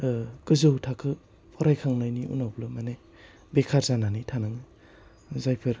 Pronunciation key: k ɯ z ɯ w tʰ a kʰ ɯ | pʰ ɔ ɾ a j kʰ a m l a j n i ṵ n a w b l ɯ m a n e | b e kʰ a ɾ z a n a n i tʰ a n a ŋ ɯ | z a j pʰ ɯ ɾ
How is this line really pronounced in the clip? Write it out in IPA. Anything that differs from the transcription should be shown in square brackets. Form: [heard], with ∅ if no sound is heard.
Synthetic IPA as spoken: k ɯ z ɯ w tʰ a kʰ ɯ | pʰ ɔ ɾ a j kʰ a [ŋ] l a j n i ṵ n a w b l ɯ m a n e | b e kʰ a ɾ z a n a n i tʰ a n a ŋ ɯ | z a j pʰ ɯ ɾ